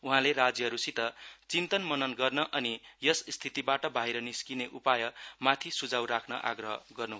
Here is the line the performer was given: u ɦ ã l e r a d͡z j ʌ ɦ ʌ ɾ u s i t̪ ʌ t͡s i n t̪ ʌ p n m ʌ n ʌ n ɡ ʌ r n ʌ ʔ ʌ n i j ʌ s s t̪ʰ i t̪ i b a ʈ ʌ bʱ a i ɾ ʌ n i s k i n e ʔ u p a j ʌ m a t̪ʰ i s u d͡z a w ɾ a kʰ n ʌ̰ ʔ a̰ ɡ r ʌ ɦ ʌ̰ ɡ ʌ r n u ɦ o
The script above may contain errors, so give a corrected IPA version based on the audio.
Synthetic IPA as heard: u ɦ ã l e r a d͡z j ʌ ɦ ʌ ɾ u s i t̪ ʌ t͡s i n t̪ ʌ n m ʌ n ʌ n ɡ ʌ r n ʌ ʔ ʌ n i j ʌ s s t̪ʰ i t̪ i b a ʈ ʌ bʱ a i ɾ ʌ n i s k i n e ʔ u p a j ʌ m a t̪ʰ i s u d͡z a w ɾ a kʰ n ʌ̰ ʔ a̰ ɡ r ʌ ɦ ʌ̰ ɡ ʌ r n u ɦ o